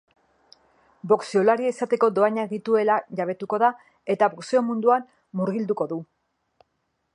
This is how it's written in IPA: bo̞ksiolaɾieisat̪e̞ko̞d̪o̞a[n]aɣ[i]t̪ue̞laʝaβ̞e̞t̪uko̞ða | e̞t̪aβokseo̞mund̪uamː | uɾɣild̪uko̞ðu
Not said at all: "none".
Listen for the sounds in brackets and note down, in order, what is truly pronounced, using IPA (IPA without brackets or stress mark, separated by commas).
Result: ɲ, i